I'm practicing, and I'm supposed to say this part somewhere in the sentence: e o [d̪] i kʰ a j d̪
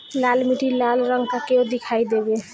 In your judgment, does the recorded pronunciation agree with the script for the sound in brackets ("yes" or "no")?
yes